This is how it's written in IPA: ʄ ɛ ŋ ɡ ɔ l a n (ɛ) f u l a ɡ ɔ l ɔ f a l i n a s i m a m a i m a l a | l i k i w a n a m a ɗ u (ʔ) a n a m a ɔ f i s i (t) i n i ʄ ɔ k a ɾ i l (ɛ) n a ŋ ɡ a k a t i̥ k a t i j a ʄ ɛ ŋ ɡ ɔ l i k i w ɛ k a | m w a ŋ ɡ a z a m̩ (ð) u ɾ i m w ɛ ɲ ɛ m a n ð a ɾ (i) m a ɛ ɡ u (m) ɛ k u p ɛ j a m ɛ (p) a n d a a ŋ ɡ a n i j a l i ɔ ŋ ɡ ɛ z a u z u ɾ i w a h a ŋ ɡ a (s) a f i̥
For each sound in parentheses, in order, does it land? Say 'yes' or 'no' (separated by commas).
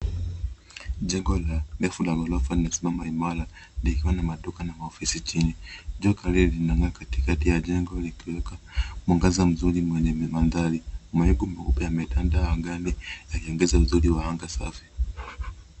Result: yes, no, no, no, no, yes, yes, no, yes